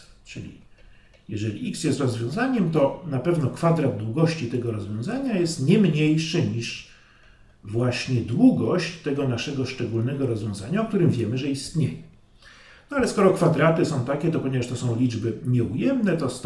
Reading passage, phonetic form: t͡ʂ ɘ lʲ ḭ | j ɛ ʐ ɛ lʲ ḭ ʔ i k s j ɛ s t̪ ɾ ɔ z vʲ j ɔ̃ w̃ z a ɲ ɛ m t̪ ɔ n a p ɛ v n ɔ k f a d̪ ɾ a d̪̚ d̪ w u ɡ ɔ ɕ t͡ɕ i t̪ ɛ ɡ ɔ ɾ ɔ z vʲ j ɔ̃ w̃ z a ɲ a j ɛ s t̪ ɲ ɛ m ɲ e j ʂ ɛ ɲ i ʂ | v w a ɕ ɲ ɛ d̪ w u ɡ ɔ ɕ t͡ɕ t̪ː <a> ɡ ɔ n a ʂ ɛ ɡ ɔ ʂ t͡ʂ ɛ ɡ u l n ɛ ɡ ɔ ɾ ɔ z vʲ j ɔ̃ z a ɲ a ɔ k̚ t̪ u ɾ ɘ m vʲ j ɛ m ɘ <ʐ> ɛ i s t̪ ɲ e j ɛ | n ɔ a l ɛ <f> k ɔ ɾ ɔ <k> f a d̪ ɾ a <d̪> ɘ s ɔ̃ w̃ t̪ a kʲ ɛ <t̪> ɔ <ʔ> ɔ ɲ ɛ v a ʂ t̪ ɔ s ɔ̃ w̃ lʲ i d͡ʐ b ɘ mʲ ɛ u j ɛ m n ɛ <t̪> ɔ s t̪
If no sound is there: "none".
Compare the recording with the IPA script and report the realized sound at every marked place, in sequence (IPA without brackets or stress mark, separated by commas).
ɛ, ʐ, s, k, t̪, t̪, p, t̪